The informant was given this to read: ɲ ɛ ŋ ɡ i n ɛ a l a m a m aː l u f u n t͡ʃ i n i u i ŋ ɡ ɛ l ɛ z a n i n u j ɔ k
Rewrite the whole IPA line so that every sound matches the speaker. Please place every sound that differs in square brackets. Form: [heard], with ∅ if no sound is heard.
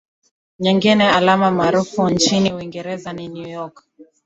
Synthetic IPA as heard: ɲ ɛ ŋ ɡ i n ɛ a l a m a m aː [ɾ] u f u n t͡ʃ i n i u i ŋ ɡ ɛ [ɾ] ɛ z a n i n u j ɔ k